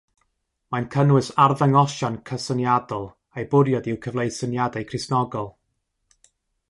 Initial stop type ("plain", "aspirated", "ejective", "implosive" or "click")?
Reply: aspirated